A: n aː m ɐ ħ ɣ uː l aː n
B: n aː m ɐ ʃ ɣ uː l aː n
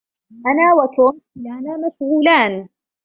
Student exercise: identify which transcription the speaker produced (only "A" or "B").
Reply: B